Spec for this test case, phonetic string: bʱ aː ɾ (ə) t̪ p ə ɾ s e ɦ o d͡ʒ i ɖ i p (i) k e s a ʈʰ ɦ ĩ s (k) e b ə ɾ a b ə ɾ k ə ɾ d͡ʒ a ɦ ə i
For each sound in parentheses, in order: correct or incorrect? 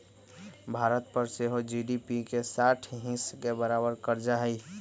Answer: correct, correct, correct

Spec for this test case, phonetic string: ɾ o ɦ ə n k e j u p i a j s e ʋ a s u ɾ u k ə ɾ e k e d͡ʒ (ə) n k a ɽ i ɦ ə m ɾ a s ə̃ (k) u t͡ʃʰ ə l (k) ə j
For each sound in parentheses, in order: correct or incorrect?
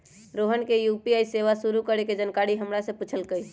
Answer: correct, incorrect, correct

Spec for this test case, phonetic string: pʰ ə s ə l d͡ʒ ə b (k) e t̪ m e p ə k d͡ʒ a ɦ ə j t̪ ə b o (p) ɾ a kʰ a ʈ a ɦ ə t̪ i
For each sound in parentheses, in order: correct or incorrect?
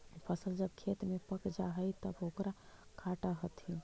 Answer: incorrect, incorrect

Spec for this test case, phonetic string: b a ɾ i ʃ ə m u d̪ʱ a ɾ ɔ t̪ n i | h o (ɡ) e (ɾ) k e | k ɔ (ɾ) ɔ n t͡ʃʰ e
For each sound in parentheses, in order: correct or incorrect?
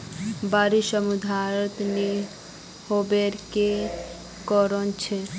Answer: incorrect, correct, correct

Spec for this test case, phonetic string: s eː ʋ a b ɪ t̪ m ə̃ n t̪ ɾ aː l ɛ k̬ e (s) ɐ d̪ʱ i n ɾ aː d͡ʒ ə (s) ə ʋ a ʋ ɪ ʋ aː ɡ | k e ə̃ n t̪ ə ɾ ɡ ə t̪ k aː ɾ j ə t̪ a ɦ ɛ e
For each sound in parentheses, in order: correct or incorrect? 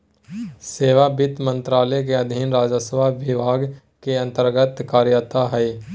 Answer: incorrect, correct

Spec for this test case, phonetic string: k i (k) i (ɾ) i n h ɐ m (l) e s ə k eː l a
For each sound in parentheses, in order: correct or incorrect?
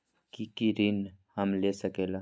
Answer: correct, correct, correct

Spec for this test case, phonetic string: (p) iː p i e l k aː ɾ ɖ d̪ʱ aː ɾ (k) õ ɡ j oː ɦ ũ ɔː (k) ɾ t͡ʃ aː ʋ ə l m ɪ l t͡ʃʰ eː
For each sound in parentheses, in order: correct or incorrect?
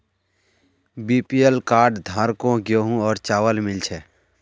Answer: incorrect, correct, incorrect

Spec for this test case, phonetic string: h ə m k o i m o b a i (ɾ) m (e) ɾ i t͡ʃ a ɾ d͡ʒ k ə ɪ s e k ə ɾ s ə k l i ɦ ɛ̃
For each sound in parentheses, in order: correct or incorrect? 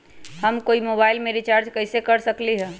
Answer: incorrect, correct

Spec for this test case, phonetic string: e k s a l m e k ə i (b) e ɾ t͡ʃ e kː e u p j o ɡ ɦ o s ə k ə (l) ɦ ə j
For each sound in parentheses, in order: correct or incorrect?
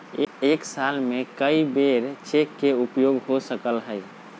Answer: correct, correct

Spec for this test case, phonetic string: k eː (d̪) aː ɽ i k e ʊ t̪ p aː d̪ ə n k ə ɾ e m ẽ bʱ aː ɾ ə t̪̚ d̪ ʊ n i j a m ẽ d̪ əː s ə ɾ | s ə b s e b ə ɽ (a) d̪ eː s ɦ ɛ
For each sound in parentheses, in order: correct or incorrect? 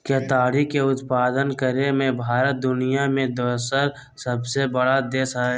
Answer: incorrect, correct

